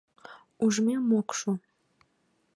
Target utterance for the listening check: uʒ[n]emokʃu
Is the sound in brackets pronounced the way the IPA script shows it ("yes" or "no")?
no